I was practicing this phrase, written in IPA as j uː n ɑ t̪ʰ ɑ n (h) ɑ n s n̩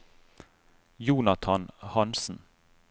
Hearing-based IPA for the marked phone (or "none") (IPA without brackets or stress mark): h